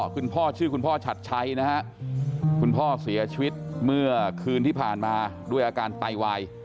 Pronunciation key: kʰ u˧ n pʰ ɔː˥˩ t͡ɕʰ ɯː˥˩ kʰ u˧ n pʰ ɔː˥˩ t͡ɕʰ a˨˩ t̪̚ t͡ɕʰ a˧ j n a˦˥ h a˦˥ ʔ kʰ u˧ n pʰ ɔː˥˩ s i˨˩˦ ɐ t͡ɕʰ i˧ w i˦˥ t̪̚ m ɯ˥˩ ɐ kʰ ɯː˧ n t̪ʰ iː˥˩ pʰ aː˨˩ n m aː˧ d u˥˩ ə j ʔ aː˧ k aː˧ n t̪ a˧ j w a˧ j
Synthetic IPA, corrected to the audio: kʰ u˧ n pʰ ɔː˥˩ t͡ɕʰ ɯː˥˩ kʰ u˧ n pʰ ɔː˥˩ t͡ɕʰ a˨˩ t̪̚ t͡ɕʰ a˦˥ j n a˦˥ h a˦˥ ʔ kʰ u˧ n pʰ ɔː˥˩ s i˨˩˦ ɐ t͡ɕʰ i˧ w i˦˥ t̪̚ m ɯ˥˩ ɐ kʰ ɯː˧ n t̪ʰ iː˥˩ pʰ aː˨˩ n m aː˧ d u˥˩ ə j ʔ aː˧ k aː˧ n t̪ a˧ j w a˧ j